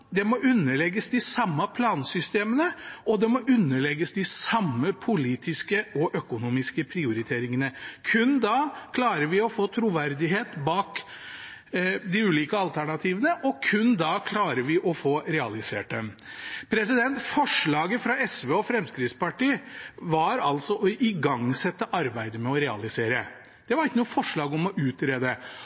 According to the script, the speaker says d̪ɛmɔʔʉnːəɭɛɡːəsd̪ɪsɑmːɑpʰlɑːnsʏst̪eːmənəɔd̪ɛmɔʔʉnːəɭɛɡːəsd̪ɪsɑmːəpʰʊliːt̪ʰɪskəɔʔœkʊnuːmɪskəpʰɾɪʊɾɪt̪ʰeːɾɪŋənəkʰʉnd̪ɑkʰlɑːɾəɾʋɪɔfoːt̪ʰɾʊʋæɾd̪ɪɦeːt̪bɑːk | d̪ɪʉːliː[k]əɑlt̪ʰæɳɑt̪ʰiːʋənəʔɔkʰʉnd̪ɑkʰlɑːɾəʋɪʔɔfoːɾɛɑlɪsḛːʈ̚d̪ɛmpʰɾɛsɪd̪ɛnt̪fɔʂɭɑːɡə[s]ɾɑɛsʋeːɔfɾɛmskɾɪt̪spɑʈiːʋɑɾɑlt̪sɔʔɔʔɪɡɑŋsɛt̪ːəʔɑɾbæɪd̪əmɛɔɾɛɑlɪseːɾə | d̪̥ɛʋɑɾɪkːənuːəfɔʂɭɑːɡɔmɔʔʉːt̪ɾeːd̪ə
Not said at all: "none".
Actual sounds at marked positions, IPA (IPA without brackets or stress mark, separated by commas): k, f